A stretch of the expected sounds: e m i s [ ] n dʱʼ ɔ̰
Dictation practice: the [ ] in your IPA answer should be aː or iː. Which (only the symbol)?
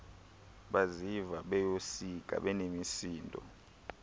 iː